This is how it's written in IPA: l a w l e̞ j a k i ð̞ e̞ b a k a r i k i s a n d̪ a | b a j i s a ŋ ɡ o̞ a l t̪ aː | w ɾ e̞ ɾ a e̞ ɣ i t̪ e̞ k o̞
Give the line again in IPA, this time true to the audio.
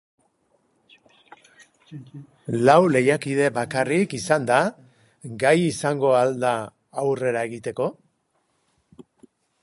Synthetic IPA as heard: l a w l e̞ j a k i ð̞ e̞ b a k a r i k i s a n d̪ a | ɡ a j i s a ŋ ɡ o̞ a l d̪ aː | w r e̞ ɾ a e̞ ɣ i t̪ e̞ k o̞